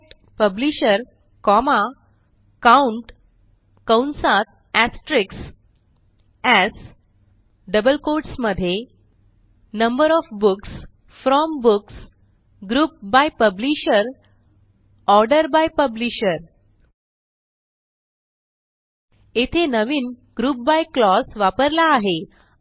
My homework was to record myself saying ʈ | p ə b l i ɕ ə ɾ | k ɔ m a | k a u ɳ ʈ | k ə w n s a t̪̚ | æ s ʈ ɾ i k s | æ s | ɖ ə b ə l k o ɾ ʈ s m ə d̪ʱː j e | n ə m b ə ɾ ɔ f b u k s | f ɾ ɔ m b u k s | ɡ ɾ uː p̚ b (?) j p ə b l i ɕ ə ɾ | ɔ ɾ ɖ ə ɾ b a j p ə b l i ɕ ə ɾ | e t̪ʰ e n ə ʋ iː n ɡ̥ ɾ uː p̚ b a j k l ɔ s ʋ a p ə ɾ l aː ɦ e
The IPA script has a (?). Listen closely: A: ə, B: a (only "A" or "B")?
B